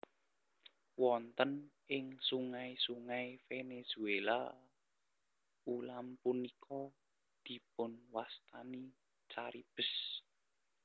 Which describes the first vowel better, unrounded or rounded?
rounded